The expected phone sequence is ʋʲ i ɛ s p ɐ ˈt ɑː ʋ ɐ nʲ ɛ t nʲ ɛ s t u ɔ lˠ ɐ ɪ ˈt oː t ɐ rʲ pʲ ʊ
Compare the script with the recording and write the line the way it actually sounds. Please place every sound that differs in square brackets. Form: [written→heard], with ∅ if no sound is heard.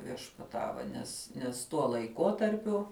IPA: ʋʲ i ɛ [s→ʃ] p ɐ ˈt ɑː ʋ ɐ nʲ ɛ [t→s] nʲ ɛ s t u ɔ lˠ ɐ ɪ [ˈt→ˈk] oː t ɐ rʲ pʲ ʊ